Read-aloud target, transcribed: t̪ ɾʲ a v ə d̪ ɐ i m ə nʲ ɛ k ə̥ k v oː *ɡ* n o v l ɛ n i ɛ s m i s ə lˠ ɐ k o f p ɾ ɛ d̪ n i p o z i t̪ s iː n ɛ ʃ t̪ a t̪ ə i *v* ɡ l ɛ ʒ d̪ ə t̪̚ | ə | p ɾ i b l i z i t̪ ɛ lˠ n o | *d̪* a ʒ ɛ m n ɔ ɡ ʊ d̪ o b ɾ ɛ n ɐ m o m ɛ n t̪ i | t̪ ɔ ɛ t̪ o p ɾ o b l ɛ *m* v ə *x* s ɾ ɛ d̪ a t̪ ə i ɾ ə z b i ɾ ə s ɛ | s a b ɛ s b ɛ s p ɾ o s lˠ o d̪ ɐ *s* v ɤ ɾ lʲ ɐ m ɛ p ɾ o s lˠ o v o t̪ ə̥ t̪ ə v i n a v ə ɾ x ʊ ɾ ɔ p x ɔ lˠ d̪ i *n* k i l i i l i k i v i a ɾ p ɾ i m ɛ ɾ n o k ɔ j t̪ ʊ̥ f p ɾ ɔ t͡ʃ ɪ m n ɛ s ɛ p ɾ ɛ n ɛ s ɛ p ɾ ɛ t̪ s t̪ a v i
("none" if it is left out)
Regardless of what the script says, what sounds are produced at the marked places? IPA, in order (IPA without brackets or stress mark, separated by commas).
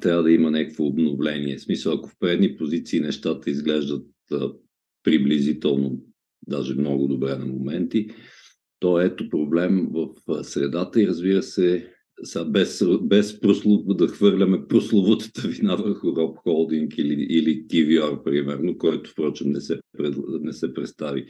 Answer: b, z, d̪, m, f, x, ŋ